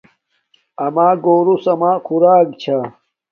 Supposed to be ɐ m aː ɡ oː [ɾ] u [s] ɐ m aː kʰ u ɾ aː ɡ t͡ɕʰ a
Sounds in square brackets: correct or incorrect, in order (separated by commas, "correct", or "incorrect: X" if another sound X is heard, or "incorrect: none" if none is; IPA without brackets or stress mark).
correct, correct